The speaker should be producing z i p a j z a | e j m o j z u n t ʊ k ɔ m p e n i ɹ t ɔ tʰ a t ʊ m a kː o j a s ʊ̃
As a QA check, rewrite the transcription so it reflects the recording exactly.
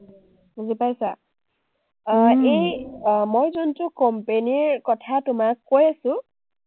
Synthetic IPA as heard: z i p a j s a | e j m o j z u n t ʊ k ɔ m p e n i ɹ k ɔ tʰ a t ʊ m a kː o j a s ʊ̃